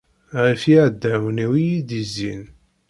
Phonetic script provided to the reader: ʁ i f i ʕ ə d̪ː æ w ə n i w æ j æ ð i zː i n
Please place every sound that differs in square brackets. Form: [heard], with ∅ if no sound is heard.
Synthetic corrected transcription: ʁ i f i ʕ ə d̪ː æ w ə n i w [i] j [i] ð i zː i n